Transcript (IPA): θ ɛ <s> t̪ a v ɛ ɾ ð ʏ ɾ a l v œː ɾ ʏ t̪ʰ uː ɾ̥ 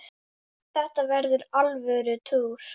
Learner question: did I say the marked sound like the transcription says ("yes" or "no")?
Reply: no